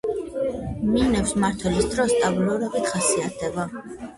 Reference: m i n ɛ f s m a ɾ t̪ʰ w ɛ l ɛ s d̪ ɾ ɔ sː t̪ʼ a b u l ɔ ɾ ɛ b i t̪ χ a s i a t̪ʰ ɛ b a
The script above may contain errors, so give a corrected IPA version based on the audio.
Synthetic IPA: m i n ɛ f s m a ɾ t̪ʰ w ɛ l i s d̪ ɾ ɔ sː t̪ʼ a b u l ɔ ɾ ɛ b i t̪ χ a s i a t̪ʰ ɛ b a